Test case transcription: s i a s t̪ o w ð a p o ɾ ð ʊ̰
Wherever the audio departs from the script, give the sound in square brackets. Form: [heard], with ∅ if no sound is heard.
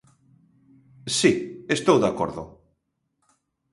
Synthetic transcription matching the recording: s i [e] s t̪ o w ð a [k] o ɾ ð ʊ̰